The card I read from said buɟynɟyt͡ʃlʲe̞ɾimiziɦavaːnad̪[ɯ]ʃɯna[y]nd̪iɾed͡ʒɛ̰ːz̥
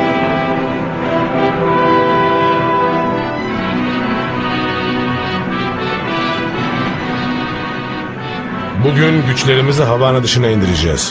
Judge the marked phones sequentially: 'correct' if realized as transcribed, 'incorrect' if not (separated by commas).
correct, incorrect